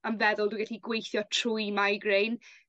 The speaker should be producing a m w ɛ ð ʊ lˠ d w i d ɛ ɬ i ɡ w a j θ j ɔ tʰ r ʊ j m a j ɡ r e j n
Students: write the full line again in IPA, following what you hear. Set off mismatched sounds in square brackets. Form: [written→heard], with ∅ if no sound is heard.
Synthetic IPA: a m [w→v] ɛ ð ʊ lˠ d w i [d→ɡ] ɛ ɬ i ɡ w [a→e] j θ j ɔ tʰ r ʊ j m a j ɡ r e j n